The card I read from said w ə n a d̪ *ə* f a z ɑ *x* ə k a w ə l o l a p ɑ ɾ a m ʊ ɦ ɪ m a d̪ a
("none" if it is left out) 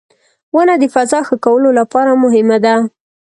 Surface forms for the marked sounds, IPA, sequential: ə, x

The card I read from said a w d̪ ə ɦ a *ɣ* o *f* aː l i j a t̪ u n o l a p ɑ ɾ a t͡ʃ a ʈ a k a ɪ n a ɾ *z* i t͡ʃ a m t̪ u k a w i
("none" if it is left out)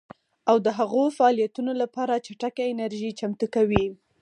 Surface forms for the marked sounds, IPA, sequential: ɣ, f, ʒ

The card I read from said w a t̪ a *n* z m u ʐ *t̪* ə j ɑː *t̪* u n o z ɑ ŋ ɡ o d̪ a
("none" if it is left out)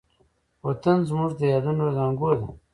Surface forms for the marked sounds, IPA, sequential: n, d̪, d̪

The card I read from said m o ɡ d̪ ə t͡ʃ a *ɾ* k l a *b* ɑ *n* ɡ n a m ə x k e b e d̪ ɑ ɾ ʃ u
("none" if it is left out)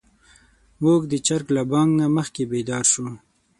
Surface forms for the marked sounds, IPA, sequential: ɾ, b, ŋ

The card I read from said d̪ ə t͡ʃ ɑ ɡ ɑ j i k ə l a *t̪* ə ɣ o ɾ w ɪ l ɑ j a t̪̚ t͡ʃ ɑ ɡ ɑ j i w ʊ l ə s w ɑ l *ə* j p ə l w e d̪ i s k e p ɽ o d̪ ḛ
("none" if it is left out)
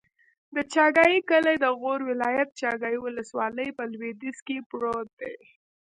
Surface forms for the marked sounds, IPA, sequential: d̪, ə

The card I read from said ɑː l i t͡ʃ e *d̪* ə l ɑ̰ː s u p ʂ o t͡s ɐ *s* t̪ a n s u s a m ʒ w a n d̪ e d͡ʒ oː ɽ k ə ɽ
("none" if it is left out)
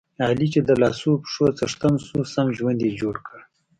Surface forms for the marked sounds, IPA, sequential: d̪, ʂ

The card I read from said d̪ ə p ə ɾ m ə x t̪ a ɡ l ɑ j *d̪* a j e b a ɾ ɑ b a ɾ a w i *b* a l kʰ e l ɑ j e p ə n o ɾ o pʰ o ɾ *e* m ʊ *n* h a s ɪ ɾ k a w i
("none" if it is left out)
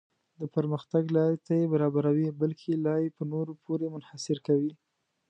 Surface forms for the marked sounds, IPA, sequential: t̪, b, e, n

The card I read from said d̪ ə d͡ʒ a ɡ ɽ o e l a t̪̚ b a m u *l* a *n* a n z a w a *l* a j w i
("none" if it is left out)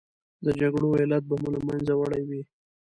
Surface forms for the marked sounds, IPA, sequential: l, m, ɽ

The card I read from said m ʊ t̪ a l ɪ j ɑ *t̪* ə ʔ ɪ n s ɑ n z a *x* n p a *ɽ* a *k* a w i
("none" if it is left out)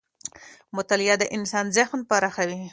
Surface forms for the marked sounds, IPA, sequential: d̪, x, ɾ, x

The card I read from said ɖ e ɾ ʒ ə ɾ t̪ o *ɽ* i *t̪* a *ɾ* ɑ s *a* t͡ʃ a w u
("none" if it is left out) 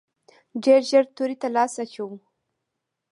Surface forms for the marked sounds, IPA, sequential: ɾ, t̪, l, a

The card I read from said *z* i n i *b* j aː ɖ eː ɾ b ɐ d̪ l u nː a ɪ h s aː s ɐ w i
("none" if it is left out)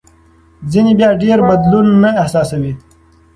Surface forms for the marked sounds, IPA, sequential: z, b

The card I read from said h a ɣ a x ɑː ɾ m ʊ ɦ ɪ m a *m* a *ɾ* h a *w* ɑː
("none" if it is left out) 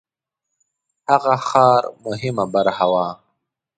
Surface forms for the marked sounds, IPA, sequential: b, ɾ, w

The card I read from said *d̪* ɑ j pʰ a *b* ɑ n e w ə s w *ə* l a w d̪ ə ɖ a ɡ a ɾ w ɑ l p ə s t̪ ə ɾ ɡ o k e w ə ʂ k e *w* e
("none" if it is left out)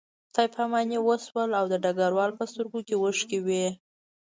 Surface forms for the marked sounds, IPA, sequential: t̪, m, ə, w

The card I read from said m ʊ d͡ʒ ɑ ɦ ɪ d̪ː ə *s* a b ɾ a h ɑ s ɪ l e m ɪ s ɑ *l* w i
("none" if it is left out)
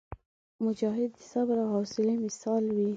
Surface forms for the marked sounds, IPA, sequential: s, l

